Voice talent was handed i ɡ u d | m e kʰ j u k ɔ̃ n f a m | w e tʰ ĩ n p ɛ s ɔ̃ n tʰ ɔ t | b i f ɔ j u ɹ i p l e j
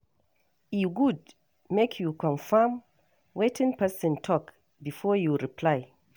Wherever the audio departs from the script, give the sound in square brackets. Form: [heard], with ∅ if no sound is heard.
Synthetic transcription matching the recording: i ɡ u d | m e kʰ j u k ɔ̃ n f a m | w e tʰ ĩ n p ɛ s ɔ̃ n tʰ ɔ [k] | b i f ɔ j u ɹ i p l [a] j